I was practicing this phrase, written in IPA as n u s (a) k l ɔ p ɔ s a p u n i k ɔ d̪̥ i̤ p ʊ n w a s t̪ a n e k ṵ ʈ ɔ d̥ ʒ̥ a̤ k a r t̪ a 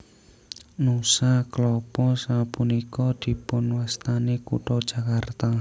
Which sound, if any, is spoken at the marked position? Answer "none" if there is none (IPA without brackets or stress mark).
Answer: a